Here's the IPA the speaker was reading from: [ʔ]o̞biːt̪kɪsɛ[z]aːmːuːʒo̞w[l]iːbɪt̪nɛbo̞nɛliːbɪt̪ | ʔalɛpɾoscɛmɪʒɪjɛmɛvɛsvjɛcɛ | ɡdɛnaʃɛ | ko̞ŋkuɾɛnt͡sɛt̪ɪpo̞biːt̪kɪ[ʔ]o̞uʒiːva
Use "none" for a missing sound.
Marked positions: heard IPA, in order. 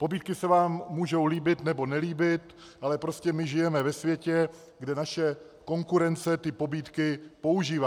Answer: p, v, l, p

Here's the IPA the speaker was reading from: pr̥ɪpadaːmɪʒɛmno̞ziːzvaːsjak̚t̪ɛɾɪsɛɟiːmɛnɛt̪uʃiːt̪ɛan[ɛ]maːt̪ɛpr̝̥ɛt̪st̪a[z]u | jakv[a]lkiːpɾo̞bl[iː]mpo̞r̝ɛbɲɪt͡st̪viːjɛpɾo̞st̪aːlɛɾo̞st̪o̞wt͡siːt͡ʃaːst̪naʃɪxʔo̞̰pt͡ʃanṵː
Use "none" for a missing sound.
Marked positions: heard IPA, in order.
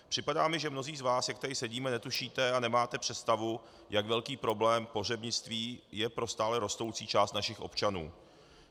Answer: ɛ, v, ɛ, ɛː

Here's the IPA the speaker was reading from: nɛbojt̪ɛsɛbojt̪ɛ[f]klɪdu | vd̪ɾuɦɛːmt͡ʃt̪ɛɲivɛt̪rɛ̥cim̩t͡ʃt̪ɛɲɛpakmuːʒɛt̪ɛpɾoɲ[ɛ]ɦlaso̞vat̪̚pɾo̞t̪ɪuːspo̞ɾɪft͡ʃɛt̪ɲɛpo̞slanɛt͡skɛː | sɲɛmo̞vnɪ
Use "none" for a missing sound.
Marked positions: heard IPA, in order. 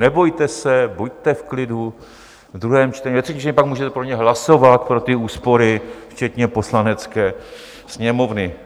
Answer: f, ɛ

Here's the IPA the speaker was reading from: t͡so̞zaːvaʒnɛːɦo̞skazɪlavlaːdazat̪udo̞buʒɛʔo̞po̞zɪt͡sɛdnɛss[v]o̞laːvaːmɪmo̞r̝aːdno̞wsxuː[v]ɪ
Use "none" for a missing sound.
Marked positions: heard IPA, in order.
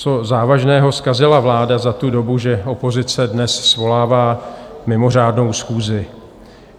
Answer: v, z

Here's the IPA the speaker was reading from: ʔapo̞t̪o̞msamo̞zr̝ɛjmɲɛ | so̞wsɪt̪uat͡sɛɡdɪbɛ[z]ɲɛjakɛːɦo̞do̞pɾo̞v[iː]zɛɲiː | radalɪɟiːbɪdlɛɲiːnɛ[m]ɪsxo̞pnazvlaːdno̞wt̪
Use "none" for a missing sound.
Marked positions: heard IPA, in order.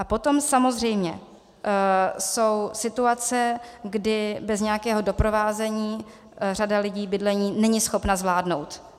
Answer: z, aː, ɲ

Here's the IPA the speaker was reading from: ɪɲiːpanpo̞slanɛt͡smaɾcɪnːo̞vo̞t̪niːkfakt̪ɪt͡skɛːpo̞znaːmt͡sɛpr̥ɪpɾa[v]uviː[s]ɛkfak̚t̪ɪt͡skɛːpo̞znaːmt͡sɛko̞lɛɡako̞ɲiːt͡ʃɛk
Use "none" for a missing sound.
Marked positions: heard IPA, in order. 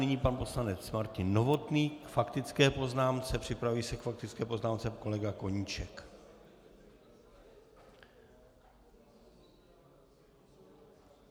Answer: v, s

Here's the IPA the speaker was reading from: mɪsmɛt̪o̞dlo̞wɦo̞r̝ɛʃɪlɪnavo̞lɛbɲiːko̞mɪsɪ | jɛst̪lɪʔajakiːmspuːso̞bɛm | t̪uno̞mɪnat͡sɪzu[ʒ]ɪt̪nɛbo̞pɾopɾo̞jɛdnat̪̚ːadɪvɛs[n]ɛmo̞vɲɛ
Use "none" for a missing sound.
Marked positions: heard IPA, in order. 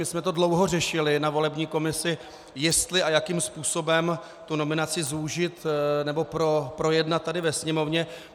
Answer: ʒ, ɲ

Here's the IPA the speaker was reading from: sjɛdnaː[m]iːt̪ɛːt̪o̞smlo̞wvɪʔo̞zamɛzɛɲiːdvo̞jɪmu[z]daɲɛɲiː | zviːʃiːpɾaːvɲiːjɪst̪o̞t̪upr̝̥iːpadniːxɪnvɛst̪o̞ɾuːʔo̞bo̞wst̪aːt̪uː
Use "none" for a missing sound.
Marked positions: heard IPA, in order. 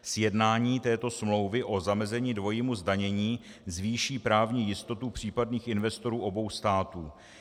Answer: ɲ, z

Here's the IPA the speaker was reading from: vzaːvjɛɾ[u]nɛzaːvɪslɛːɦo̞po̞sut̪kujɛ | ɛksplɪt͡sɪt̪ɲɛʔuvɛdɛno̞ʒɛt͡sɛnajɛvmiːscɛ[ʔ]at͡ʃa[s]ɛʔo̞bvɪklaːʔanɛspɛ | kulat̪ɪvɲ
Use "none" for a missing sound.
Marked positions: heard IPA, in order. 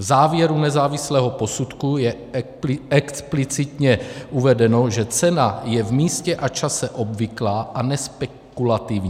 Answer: u, ʔ, s

